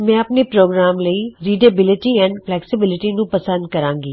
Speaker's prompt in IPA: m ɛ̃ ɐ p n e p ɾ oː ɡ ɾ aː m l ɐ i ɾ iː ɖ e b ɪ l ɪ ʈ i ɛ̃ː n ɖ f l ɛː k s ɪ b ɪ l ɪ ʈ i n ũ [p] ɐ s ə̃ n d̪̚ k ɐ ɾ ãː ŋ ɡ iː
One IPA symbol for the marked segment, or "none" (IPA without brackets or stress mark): p